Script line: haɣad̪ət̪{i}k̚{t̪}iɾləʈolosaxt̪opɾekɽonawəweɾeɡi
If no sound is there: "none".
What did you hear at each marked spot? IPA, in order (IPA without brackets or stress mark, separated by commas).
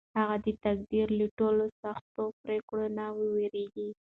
a, d̪